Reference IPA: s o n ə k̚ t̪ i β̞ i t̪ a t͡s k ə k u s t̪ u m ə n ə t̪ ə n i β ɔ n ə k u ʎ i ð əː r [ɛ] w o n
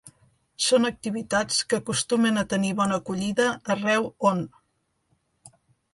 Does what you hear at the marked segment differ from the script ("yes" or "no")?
no